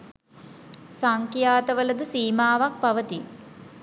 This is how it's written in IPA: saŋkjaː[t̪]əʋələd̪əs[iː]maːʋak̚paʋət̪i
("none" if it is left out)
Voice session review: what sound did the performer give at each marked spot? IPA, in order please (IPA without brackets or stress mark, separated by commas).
t̪, iː